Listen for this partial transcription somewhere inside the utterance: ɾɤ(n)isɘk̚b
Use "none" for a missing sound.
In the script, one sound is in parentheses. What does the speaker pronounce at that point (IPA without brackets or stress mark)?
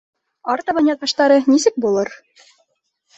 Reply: n